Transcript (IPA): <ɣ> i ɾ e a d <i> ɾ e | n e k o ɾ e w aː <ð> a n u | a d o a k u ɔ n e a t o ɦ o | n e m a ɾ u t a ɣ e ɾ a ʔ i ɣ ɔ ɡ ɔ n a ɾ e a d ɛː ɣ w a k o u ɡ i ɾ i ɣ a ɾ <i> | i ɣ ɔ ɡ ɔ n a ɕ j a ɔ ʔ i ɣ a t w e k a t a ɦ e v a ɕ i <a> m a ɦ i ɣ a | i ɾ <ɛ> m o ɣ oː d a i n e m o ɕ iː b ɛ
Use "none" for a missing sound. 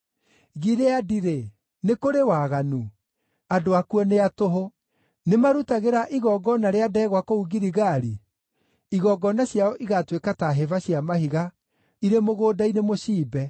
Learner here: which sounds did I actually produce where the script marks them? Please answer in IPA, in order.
ɣ, i, ɣ, i, a, e

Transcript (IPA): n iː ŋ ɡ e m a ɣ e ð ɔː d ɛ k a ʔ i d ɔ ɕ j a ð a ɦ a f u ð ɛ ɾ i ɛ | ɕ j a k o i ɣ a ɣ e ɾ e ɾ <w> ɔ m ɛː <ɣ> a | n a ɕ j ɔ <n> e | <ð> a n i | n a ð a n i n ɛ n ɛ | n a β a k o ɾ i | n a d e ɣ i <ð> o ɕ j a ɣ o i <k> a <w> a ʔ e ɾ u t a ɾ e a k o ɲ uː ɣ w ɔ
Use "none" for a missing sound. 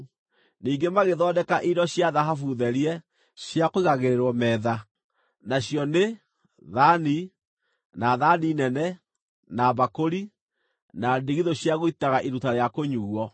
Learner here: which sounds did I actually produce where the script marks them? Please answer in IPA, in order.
w, ð, n, ð, ð, t, ɣ

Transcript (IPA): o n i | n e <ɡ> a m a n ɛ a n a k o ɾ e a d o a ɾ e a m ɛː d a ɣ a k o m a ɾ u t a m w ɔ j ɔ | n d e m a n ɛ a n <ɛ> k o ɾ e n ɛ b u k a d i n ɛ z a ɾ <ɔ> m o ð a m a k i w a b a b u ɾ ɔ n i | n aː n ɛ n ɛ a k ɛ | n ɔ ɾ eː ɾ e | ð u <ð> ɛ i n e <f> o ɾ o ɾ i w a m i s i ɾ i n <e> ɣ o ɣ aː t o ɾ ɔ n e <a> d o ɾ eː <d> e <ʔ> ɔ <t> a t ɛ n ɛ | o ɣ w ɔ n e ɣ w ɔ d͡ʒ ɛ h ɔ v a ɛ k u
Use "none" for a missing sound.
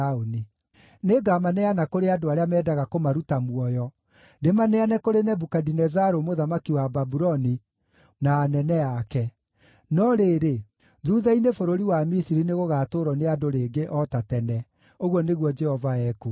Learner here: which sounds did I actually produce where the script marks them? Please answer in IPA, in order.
ɡ, ɛ, o, ð, f, e, a, ɡ, ʔ, t

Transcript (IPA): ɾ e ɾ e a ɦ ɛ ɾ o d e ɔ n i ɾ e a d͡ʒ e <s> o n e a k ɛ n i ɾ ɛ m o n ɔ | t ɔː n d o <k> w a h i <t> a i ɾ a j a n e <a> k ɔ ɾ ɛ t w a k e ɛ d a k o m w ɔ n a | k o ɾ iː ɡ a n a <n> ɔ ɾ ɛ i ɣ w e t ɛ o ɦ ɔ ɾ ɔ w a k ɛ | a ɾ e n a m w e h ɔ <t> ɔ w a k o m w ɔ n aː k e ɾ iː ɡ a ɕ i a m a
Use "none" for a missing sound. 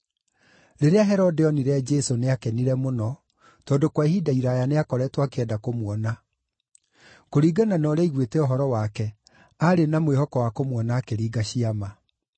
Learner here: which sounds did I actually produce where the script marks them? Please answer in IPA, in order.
s, k, d, a, n, k

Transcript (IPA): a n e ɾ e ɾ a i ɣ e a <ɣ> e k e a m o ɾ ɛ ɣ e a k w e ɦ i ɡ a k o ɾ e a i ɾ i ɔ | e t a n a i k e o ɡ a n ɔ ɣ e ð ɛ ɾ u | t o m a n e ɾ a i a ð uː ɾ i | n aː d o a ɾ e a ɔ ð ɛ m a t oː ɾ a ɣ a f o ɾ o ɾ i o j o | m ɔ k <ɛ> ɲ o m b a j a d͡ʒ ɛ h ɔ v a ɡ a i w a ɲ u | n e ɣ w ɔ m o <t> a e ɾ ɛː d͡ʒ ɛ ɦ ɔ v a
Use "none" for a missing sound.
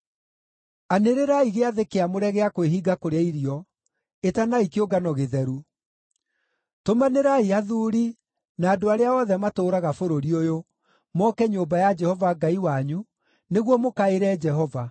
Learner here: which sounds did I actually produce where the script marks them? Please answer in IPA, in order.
ð, ɛ, k

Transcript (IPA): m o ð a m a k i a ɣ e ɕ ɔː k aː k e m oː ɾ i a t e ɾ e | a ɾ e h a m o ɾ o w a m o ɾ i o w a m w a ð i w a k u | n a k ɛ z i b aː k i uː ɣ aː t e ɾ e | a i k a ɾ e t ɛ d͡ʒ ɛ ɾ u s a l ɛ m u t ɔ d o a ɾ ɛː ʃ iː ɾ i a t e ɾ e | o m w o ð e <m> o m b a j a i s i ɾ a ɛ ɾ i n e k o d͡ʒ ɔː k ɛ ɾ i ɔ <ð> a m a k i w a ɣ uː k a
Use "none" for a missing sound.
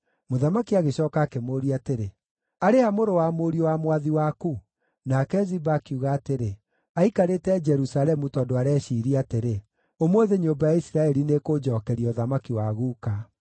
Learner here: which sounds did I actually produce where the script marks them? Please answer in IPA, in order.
ɲ, ð

